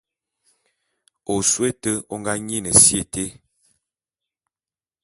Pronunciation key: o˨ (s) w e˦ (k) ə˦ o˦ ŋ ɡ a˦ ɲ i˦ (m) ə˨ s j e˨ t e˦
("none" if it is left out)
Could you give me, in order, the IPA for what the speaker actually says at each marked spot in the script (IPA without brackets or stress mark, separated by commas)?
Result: s, t, n